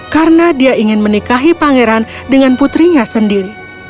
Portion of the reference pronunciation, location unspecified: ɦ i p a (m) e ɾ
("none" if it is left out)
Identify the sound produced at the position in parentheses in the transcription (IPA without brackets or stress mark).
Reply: ŋ